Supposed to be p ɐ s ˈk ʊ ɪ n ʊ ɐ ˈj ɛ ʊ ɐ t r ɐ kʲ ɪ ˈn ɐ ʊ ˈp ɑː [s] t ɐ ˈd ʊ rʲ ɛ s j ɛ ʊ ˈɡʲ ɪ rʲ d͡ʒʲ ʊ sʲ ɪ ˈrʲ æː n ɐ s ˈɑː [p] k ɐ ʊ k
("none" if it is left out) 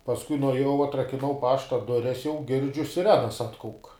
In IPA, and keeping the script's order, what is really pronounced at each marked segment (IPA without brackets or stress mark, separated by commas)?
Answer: ʃ, t